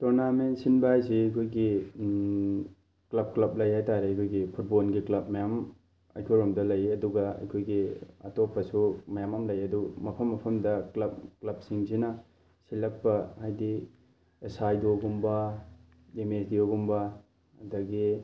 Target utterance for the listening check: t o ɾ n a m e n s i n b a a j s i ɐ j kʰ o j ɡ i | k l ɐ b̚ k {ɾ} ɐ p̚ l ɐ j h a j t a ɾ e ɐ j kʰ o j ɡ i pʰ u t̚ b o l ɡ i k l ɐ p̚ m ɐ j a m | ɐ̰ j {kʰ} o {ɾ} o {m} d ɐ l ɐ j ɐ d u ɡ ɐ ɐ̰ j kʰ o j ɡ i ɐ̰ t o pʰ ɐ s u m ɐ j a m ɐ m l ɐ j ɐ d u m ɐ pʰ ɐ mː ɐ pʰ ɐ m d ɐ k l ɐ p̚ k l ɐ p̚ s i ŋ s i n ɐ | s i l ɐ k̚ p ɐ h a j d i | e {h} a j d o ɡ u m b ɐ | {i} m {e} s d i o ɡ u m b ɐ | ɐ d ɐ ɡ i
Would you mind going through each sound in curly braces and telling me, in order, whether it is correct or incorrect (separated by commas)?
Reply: incorrect, correct, correct, correct, incorrect, incorrect, correct